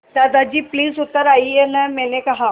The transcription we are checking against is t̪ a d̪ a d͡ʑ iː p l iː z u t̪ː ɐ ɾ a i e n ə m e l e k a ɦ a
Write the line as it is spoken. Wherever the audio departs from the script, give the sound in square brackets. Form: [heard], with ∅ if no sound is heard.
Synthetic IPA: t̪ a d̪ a d͡ʑ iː p l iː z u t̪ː [ə] ɾ a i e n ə m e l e k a ɦ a